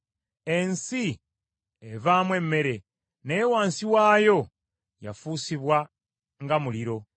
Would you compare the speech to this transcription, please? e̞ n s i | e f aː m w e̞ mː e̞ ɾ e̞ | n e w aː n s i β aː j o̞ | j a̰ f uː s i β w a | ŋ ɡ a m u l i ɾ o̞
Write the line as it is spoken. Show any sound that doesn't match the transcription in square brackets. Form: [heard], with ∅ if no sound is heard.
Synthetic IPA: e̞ n s i | e [v] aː m w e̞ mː e̞ ɾ e̞ | n e w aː n s i [w] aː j o̞ | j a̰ f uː s i β w a | ŋ ɡ a m u l i ɾ o̞